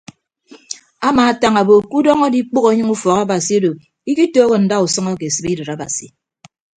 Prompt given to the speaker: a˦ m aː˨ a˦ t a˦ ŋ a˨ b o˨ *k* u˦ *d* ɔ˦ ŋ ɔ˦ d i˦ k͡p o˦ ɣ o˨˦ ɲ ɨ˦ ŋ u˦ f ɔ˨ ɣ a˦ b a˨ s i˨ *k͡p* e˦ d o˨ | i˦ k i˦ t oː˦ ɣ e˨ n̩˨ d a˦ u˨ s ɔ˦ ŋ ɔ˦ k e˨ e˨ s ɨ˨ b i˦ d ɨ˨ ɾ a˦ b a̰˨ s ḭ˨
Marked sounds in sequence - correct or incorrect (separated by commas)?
correct, correct, incorrect